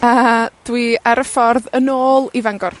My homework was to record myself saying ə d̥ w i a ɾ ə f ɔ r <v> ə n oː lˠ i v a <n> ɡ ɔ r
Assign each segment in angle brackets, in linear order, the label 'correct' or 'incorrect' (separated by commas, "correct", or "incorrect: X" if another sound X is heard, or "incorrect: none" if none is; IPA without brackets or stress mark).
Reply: incorrect: ð, incorrect: ŋ